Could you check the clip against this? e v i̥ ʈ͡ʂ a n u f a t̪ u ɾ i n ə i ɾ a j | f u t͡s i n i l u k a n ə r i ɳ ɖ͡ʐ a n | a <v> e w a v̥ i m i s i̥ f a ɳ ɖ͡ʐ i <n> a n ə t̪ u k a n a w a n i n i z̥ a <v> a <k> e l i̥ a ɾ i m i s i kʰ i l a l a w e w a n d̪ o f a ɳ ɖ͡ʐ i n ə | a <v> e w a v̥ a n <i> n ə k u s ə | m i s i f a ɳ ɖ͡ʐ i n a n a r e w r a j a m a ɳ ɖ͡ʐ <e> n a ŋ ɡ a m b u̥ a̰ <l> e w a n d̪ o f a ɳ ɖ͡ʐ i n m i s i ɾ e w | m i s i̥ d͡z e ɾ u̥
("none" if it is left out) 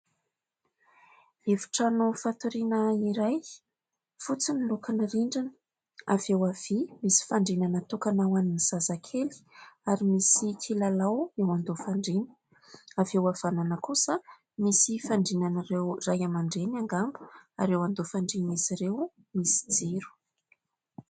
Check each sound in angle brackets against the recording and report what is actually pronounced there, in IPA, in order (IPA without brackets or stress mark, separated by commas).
v, n, z, kʰ, v, a, e, ɾ